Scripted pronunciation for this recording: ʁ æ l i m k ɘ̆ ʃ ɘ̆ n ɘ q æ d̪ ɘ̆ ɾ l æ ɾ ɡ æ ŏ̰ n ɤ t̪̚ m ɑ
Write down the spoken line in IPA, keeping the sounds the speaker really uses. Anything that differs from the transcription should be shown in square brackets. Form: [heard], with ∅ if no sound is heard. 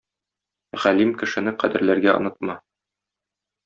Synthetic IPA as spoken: ʁ æ l i m k ɘ̆ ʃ ɘ̆ n ɘ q æ d̪ ɘ̆ ɾ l æ ɾ ɡ æ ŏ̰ n ɤ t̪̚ m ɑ